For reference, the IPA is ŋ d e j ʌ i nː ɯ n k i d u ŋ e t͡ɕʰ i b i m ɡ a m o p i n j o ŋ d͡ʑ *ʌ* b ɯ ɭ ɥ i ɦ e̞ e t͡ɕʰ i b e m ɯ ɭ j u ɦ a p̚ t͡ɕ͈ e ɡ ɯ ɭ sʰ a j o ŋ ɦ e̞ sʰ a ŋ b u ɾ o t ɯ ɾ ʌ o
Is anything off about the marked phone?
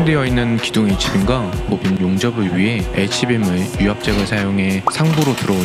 no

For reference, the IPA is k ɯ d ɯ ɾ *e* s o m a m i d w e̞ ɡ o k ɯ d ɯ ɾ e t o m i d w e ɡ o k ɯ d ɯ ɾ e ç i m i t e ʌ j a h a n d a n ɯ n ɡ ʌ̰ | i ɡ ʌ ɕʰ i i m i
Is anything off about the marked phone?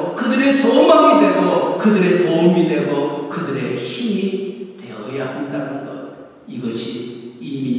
no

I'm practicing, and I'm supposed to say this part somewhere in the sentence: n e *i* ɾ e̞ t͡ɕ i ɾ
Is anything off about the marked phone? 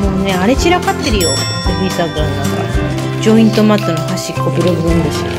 yes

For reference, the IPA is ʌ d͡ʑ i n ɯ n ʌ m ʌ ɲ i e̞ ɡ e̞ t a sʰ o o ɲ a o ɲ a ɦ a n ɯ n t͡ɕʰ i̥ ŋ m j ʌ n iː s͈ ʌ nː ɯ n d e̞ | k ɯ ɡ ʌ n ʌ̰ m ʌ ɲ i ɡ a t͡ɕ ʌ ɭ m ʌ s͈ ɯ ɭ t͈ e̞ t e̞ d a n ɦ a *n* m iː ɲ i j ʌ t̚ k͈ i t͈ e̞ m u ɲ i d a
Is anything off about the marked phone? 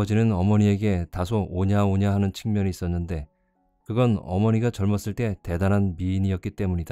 no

